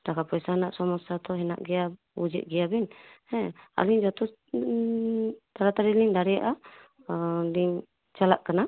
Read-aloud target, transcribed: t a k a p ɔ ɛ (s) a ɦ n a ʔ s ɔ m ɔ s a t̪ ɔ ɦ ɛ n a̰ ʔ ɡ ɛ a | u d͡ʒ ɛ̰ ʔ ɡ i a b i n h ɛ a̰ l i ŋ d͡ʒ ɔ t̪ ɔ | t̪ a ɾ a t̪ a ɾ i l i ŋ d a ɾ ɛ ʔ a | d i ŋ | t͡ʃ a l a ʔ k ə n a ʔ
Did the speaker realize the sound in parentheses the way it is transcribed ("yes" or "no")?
yes